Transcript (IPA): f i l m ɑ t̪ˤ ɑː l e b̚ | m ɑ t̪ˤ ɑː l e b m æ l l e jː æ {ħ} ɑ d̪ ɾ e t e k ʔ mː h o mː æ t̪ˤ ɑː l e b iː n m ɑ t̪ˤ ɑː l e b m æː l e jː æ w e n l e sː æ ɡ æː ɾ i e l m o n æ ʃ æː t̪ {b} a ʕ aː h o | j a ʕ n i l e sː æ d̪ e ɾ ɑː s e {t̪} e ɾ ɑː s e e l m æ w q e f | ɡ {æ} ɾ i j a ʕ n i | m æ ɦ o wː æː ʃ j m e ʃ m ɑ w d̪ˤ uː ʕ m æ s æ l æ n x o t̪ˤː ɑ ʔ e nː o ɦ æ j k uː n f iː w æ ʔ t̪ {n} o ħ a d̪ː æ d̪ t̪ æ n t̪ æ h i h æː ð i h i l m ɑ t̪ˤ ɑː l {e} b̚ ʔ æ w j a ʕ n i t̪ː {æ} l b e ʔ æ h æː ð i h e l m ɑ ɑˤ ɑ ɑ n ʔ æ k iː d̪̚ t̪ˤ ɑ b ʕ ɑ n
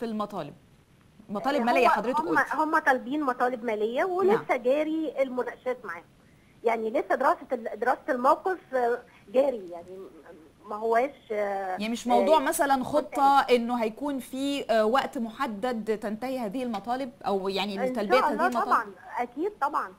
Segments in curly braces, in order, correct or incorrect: correct, incorrect: m, incorrect: d̪, incorrect: æː, incorrect: m, correct, correct

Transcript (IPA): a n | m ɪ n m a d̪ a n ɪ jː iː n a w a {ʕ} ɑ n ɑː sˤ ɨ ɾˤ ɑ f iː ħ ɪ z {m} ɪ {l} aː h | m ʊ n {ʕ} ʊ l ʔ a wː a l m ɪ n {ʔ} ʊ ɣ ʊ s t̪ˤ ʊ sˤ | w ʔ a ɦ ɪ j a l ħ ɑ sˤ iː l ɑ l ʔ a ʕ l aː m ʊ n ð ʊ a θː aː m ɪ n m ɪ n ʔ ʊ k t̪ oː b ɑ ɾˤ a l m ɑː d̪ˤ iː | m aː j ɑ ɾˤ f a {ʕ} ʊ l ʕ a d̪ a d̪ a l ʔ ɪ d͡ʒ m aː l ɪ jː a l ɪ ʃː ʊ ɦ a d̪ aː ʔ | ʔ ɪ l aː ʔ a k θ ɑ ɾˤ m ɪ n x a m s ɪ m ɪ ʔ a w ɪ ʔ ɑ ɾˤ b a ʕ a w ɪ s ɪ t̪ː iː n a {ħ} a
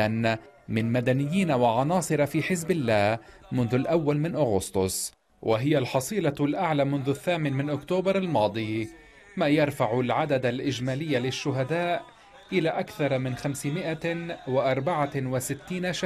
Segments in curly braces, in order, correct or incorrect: correct, incorrect: b, incorrect: lː, incorrect: ð, correct, correct, incorrect: ʃ

